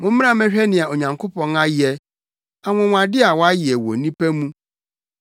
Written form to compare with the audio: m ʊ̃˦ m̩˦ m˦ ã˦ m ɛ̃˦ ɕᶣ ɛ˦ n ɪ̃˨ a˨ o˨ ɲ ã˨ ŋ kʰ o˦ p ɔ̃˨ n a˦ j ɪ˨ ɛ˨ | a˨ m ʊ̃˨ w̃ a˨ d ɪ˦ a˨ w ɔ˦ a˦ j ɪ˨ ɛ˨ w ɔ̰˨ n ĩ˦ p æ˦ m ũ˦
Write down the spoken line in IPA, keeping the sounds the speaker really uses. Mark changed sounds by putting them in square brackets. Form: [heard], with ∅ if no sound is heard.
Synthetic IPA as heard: m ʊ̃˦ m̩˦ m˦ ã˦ m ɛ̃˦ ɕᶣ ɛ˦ n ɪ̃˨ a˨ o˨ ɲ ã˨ ŋ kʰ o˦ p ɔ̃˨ n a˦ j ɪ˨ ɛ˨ | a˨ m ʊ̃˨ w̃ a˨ d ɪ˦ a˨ w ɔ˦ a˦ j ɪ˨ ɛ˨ w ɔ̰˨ n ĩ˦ p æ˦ m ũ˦